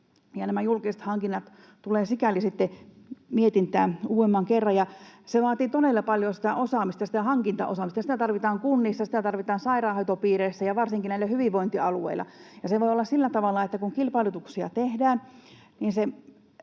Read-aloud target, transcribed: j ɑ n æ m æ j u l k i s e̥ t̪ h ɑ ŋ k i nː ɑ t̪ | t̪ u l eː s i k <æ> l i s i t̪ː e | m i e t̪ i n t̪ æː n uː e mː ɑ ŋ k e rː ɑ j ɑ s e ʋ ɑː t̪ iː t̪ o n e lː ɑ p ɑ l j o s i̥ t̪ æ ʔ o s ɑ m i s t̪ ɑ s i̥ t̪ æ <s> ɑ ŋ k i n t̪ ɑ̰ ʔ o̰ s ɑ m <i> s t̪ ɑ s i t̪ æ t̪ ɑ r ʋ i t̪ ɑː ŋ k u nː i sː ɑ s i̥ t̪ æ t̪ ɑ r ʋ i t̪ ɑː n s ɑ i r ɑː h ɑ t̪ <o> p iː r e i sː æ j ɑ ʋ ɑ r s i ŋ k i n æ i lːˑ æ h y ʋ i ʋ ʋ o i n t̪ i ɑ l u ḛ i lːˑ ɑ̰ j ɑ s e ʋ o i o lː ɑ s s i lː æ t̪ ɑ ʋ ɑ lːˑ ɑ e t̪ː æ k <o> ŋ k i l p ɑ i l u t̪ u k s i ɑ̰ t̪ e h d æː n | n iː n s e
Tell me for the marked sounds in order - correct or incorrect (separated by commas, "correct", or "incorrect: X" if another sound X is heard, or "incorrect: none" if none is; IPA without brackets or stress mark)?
correct, incorrect: h, correct, correct, incorrect: u